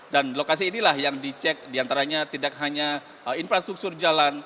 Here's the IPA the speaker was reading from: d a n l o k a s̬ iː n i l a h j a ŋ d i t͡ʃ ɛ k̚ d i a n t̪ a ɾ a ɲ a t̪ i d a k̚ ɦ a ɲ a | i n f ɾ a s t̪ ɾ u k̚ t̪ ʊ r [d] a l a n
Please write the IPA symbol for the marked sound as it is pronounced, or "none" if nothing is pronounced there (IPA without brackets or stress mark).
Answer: d͡ʒ